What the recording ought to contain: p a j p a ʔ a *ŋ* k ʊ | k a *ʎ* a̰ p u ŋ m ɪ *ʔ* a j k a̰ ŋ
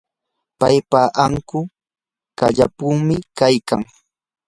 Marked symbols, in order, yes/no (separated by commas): yes, yes, no